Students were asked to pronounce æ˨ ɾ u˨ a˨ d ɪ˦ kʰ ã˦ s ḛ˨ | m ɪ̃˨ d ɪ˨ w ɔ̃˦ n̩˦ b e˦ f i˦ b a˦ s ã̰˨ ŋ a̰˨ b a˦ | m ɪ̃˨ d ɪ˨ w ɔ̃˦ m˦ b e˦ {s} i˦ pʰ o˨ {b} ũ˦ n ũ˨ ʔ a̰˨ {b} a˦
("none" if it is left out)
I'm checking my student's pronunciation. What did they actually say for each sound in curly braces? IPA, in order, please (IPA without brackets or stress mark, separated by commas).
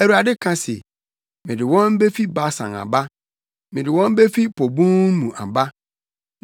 f, b, b